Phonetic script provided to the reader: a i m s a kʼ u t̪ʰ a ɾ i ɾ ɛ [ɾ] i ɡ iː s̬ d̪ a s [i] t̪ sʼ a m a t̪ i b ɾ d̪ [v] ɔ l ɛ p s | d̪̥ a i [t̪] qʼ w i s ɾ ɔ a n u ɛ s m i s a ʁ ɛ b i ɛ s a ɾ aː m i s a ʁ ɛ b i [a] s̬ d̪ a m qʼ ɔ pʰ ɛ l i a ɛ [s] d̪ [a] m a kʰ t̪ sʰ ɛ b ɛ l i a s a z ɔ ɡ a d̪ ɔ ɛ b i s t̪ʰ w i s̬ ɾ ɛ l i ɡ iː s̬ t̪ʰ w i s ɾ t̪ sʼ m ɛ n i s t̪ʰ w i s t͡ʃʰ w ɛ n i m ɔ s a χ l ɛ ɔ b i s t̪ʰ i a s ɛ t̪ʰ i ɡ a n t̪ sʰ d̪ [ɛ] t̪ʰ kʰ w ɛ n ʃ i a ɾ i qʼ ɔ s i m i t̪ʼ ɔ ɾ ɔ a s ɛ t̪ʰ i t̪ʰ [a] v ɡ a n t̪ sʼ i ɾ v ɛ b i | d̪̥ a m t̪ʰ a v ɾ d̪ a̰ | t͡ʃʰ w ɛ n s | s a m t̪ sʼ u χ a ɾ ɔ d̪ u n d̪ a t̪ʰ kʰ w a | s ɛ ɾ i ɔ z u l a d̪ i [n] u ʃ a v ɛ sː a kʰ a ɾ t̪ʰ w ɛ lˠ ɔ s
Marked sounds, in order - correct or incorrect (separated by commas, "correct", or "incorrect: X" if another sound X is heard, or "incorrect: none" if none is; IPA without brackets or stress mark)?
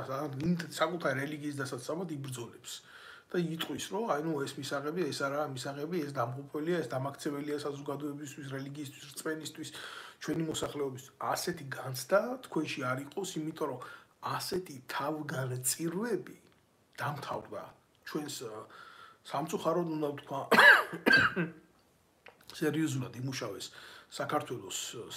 incorrect: l, incorrect: a, incorrect: z, incorrect: t̪ʼ, incorrect: ɛ, correct, correct, incorrect: a, correct, incorrect: m